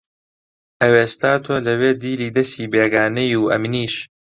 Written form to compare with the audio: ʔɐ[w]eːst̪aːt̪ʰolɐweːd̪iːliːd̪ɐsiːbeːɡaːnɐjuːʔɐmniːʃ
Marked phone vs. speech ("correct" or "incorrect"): correct